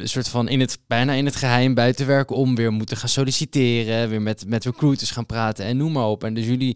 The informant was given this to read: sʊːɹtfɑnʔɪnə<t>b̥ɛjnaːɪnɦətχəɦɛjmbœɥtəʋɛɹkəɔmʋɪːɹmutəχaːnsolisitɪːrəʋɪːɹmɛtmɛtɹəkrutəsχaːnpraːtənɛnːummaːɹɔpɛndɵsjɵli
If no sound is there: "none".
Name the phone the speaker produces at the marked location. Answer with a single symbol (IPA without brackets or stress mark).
t